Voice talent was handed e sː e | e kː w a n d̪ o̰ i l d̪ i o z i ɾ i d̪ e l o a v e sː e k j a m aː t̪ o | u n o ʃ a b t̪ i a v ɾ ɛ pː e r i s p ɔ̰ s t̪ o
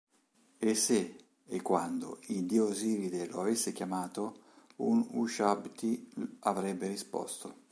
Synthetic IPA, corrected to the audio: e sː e | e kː w a n d̪ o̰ i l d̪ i o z i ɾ i d̪ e l o a v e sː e k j a m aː t̪ o | u n u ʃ a b t̪ i a v ɾ ɛ bː e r i s p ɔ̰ s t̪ o